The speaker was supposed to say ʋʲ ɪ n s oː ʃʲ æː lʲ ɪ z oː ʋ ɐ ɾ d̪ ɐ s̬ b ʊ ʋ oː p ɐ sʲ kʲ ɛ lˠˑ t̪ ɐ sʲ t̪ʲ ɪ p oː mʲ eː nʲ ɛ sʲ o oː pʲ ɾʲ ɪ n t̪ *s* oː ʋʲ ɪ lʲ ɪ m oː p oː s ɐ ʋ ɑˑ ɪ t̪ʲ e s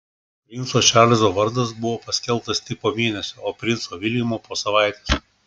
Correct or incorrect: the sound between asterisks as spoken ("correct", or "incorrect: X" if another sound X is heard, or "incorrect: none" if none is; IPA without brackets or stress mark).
correct